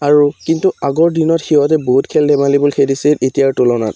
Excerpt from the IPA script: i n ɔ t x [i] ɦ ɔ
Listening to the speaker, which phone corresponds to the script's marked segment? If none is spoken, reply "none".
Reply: i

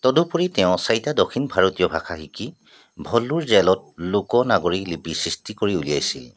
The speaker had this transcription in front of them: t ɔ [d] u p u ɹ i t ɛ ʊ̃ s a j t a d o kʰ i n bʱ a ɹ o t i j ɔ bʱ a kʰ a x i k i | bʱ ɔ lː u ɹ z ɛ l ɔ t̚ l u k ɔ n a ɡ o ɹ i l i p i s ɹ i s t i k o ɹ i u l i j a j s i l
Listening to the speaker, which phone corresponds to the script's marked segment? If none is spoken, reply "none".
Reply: d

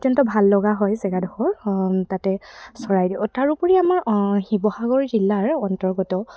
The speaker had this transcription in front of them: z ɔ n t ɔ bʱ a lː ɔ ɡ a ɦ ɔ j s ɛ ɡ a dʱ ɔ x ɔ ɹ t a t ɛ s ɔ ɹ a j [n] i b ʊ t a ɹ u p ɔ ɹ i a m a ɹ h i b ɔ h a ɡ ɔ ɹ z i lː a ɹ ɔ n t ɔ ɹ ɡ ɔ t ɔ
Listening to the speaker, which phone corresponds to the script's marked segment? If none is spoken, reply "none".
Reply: d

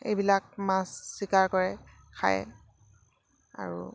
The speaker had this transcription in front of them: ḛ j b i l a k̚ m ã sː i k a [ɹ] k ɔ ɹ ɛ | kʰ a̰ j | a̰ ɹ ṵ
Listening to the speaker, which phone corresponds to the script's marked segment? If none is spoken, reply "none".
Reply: ɹ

